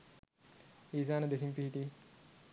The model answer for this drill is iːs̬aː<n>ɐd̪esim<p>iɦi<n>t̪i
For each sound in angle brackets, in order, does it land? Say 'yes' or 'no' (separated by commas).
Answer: yes, yes, no